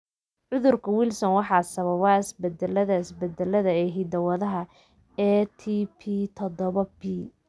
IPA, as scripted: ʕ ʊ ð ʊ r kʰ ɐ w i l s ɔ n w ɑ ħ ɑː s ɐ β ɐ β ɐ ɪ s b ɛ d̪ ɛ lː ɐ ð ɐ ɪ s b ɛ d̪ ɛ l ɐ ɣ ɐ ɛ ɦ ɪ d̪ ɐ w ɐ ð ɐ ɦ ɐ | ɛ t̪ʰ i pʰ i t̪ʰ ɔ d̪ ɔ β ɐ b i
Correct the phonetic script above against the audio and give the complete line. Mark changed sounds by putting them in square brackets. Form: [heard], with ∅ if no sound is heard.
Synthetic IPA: ʕ ʊ ð ʊ r kʰ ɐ w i l s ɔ n w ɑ ħ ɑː s ɐ β ɐ β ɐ ɪ s b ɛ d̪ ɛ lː ɐ ð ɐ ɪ s b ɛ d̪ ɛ l ɐ [ð] ɐ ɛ ɦ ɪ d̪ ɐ w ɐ ð ɐ ɦ ɐ | ɛ t̪ʰ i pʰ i t̪ʰ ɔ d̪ ɔ β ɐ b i